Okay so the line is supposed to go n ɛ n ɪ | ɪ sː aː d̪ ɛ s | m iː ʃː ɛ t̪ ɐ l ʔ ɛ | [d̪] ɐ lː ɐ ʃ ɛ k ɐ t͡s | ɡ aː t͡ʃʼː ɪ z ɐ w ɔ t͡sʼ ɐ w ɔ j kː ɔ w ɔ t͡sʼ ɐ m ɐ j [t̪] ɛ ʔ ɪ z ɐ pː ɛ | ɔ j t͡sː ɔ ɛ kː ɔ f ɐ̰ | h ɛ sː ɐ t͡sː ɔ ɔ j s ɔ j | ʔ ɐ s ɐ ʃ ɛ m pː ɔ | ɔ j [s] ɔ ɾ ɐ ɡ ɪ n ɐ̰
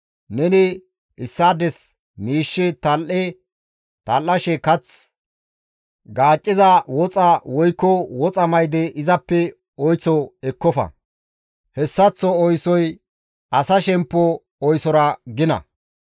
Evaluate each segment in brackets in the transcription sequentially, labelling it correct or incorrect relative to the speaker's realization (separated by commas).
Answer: incorrect, incorrect, correct